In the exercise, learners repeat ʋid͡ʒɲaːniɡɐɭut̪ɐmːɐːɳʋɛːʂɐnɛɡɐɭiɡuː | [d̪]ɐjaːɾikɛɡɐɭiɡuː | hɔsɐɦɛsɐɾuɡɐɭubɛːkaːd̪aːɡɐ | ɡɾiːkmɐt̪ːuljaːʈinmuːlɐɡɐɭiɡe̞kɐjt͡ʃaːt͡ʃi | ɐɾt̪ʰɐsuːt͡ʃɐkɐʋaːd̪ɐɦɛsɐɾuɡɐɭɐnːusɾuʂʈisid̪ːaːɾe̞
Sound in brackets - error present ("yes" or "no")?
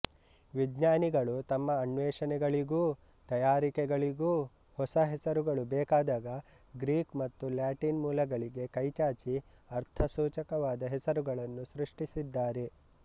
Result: yes